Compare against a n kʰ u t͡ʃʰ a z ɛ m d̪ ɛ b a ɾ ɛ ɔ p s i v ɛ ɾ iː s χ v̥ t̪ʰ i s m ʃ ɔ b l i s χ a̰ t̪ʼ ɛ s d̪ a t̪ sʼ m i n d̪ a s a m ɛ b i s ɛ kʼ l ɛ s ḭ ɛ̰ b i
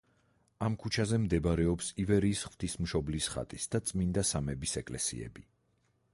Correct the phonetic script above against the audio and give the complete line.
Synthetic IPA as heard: a m kʰ u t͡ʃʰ a z ɛ m d̪ ɛ b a ɾ ɛ ɔ p s i v ɛ ɾ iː s χ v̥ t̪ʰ i s m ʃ ɔ b l i s χ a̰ t̪ʼ i s d̪ a t̪ sʼ m i n d̪ a s a m ɛ b i s ɛ kʼ l ɛ s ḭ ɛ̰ b i